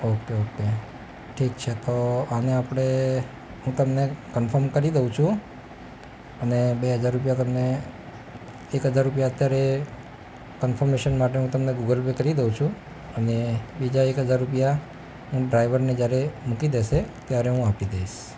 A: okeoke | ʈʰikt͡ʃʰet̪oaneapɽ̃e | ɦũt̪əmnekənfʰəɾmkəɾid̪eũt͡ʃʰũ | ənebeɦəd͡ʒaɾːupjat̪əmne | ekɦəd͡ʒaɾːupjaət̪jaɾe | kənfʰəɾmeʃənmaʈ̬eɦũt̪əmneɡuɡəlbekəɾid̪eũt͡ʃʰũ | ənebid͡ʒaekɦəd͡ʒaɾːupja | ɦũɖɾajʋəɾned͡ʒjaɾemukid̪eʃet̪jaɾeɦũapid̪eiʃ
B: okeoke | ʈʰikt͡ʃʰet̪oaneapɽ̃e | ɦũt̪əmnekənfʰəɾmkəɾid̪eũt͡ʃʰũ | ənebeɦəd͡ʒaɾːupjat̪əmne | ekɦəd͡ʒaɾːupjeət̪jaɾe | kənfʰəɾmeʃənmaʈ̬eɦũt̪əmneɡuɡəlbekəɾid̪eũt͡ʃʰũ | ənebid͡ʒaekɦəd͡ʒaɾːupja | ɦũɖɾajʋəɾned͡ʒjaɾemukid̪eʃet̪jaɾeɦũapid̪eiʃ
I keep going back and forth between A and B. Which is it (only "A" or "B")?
A